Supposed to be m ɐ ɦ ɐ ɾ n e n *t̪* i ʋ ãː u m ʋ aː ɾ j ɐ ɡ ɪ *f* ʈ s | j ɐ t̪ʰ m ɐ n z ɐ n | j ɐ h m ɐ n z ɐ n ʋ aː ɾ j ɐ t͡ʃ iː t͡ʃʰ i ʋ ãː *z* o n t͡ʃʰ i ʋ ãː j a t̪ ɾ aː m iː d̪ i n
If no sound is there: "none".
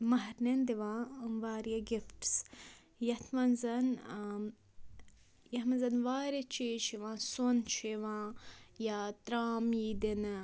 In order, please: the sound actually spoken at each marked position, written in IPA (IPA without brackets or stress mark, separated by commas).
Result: d̪, f, s